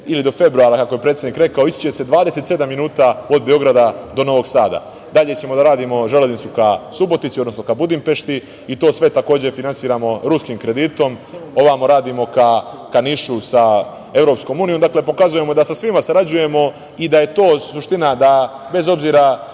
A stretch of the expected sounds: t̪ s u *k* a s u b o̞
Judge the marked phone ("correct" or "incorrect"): correct